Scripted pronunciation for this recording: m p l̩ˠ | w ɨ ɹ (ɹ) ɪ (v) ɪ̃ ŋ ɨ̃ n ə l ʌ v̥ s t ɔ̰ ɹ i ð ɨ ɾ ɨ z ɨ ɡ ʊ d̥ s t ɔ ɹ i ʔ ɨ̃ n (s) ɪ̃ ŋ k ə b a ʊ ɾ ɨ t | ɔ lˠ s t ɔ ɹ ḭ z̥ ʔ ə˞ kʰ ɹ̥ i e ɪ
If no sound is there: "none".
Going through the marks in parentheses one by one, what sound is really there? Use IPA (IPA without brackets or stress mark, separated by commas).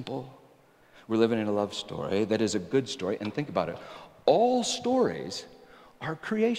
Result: l, v, θ